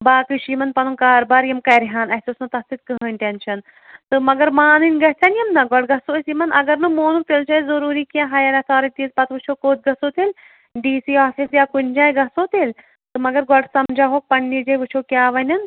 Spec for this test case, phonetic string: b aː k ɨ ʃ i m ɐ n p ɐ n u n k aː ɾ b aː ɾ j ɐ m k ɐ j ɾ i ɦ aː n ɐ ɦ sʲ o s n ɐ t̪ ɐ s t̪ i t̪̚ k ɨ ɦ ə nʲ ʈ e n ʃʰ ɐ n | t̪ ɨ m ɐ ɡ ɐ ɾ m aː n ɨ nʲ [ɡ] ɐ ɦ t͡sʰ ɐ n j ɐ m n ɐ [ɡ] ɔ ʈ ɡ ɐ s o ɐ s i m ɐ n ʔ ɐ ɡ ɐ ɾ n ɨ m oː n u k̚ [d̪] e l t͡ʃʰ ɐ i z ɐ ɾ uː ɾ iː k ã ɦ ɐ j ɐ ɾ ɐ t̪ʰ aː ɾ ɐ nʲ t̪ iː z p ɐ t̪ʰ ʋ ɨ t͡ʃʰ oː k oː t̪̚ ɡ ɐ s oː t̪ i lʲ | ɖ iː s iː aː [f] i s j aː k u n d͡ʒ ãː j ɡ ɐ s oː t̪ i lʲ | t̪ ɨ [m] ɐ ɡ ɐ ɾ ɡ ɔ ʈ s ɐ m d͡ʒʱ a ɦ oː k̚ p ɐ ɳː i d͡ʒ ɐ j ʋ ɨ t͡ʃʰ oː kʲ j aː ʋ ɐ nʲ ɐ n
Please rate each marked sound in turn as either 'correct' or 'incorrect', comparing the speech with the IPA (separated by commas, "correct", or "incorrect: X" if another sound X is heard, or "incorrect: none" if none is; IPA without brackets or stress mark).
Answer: correct, correct, incorrect: t̪, correct, correct